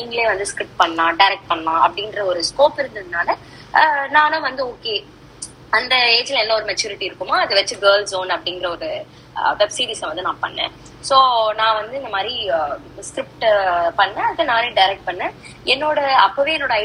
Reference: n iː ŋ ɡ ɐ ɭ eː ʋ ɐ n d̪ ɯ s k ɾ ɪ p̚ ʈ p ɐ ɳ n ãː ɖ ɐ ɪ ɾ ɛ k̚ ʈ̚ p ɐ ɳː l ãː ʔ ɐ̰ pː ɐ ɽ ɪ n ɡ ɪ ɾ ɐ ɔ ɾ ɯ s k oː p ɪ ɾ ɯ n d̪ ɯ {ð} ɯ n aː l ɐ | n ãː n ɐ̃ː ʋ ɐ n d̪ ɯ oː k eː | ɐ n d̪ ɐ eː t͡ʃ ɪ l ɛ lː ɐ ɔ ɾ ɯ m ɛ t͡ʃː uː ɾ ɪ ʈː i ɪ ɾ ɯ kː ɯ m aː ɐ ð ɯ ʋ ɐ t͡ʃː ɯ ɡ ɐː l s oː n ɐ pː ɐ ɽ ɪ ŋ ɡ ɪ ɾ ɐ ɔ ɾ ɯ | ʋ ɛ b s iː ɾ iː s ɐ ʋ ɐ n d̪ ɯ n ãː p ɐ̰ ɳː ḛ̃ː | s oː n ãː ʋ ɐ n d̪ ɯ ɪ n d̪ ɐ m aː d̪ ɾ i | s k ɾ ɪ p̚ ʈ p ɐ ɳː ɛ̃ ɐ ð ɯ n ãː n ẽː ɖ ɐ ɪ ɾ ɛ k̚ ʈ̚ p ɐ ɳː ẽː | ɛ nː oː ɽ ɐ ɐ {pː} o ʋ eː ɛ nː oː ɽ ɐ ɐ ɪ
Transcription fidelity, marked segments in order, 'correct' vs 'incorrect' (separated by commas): correct, correct